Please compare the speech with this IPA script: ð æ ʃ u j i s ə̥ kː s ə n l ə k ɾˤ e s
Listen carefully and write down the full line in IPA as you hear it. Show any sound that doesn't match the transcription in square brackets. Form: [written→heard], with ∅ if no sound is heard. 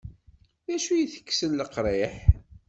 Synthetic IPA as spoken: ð æ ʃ u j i [s→θ] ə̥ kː s ə n l ə [k→q] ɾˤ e [s→ħ]

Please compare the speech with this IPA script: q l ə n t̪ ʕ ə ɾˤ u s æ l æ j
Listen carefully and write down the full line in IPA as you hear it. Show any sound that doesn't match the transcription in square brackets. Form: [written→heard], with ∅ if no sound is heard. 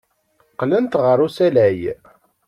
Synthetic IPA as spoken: q l ə n t̪ [ʕ→ʁ] ə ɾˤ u s æ l æ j

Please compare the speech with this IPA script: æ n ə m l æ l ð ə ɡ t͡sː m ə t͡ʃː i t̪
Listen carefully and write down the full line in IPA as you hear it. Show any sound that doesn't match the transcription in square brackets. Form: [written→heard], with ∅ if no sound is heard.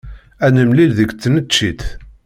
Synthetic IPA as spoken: æ n ə m l [æ→i] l ð ə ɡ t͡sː [m→n] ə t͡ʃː i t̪

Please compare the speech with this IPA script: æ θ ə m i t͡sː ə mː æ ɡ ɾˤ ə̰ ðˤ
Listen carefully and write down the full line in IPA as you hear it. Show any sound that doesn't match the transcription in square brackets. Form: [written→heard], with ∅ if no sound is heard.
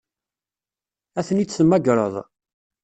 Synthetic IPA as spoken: æ θ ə [m→n] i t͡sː ə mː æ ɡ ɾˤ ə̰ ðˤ

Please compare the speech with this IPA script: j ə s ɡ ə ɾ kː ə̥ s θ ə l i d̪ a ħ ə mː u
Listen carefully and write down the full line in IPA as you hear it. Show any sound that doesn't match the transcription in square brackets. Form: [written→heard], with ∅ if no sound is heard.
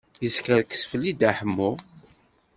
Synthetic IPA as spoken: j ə s [ɡ→k] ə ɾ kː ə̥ s [θ→f] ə l i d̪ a ħ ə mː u

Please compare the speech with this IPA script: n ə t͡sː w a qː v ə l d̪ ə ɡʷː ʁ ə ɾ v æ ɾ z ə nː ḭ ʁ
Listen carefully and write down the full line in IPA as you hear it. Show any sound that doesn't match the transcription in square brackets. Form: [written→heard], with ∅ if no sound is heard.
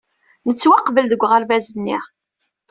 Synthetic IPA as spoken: n ə t͡sː w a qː v ə l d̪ ə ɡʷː ʁ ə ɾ v æ [ɾ→∅] z ə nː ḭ ʁ

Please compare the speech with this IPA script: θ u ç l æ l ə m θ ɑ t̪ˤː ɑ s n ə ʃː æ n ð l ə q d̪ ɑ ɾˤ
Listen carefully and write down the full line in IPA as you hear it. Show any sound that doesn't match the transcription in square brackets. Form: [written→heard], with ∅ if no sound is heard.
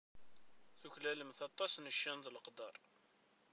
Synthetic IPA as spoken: θ u ç l æ l ə m θ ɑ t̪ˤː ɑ s n ə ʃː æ n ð l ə q d̪ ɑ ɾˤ

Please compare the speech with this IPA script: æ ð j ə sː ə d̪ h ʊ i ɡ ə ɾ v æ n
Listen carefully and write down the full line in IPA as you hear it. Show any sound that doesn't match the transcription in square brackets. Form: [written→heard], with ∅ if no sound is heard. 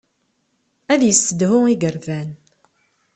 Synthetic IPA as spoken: æ ð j ə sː ə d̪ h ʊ i ɡ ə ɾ v æ n

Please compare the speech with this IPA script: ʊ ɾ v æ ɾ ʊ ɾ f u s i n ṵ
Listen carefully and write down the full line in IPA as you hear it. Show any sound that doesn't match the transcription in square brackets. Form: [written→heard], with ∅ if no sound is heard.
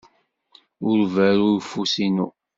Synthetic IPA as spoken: ʊ ɾ v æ ɾ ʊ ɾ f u s i n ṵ

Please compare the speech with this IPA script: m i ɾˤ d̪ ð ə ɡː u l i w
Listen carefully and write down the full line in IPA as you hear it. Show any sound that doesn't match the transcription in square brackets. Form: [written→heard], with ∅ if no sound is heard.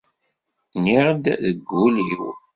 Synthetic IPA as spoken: [m→n] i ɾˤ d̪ ð ə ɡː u l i w

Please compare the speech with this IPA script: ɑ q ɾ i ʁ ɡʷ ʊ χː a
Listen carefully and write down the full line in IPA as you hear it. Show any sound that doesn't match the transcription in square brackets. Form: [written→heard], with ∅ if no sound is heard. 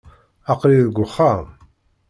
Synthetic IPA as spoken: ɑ q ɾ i [ʁ→ð] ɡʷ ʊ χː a

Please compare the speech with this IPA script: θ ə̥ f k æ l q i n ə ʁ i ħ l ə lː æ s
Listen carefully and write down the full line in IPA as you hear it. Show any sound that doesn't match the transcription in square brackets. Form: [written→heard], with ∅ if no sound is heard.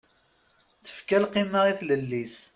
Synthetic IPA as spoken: θ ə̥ f k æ l q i [n→m] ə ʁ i [ħ→θ] l ə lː [æ→i] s

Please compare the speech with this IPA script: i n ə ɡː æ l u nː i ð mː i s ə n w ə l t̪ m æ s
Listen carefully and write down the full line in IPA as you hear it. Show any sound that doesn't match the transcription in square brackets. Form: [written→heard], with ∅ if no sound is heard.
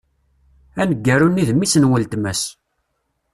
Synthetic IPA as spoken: [i→æ] n ə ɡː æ [l→ɾ] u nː i ð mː i s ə n w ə l t̪ m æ s

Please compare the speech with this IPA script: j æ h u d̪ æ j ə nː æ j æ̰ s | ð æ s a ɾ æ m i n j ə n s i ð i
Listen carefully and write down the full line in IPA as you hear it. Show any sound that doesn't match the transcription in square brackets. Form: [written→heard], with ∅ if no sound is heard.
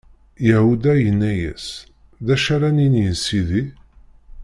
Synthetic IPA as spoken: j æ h u d̪ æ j ə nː æ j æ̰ s | ð æ [s→ʃ] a ɾ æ [m→n] i n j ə n s i ð i

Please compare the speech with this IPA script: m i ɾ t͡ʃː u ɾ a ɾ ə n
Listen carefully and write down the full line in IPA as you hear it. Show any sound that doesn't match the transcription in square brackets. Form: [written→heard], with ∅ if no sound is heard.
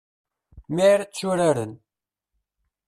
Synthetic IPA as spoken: m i ɾ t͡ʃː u ɾ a ɾ ə n

